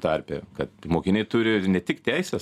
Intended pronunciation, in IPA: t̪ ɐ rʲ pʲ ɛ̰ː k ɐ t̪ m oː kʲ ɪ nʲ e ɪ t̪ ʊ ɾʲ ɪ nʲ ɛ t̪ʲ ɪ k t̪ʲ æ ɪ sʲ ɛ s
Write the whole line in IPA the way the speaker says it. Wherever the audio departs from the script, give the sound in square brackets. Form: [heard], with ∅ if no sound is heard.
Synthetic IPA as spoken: t̪ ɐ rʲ pʲ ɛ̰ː k ɐ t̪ m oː kʲ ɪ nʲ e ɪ t̪ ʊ ɾʲ ɪ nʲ ɛ t̪ʲ ɪ k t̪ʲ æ ɪ sʲ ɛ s